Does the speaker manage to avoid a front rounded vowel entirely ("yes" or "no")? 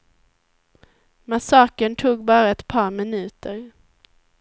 yes